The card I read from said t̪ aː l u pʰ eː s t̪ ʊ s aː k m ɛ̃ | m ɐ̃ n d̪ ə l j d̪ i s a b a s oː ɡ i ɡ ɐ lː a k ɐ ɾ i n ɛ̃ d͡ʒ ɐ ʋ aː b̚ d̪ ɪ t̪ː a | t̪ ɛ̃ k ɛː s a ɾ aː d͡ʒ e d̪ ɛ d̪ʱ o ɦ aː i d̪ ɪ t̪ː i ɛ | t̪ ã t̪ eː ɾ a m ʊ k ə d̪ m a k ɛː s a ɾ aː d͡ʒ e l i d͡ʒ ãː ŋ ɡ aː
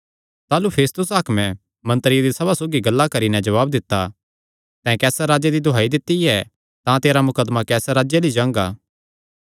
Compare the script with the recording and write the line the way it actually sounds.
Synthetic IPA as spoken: t̪ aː l u pʰ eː s t̪ ʊ s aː k m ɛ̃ | m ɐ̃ n t̪ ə ɾ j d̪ i s ɐ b a s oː ɡ i ɡ ɐ lː a k ɐ ɾ i n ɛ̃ d͡ʒ ɐ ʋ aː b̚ d̪ ɪ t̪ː a | t̪ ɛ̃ k ɛː s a ɾ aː d͡ʒ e d̪ i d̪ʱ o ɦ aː i d̪ ɪ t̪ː i ɛ | t̪ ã t̪ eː ɾ a m ʊ k ə d̪ m a k ɛː s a ɾ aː d͡ʒ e l i d͡ʒ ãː ŋ ɡ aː